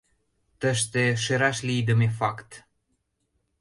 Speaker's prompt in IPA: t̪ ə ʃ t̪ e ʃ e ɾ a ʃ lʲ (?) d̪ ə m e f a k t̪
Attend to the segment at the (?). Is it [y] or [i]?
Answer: i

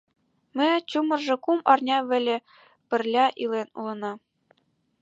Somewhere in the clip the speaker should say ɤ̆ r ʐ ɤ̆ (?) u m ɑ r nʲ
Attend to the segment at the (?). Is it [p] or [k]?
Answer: k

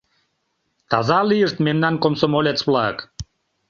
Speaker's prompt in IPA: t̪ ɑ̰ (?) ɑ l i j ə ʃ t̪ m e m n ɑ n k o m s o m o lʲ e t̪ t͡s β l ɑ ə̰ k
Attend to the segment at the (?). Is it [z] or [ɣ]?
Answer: z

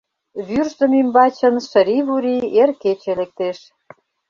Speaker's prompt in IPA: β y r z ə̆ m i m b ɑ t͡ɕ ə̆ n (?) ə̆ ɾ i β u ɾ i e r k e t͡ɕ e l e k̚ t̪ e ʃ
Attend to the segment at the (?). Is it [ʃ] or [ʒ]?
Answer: ʃ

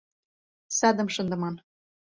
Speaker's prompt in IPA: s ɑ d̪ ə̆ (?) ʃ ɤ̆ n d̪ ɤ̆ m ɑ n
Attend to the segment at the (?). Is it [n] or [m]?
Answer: m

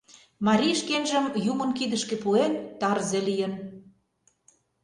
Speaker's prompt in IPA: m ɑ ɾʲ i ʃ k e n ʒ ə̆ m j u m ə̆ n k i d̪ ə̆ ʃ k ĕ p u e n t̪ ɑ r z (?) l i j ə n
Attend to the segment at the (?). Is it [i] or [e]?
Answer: e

